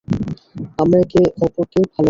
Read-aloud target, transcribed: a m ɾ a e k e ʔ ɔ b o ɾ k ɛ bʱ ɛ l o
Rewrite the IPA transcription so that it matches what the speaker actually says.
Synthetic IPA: a m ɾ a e k e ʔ ɔ p o ɾ k e bʱ a l o